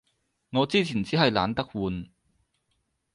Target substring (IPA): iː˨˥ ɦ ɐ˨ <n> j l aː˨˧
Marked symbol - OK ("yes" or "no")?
no